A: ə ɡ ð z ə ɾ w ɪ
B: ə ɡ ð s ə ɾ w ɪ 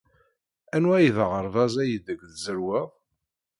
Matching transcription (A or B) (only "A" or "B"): A